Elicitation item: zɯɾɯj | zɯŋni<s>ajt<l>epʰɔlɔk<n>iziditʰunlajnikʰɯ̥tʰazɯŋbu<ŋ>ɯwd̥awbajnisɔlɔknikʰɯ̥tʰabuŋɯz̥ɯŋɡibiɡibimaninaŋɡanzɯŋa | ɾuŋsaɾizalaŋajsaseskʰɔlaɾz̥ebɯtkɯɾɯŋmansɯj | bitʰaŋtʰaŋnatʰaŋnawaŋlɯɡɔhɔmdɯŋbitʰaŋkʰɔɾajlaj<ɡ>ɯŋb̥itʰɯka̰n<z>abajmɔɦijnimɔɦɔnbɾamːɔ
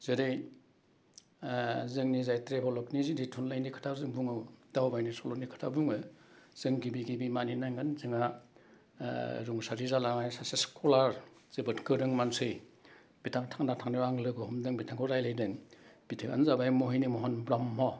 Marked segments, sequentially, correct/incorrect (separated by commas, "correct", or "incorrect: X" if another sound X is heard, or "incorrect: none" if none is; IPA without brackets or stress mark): incorrect: z, incorrect: ɾ, correct, correct, incorrect: d, correct